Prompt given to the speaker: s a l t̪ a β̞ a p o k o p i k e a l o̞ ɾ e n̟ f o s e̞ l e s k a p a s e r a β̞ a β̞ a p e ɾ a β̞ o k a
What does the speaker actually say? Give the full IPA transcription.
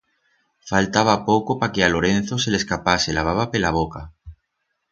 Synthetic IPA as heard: f a l t̪ a β̞ a p o k o p a k e a l o̞ ɾ e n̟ θ o s e̞ l e s k a p a s e l a β̞ a β̞ a p e l a β̞ o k a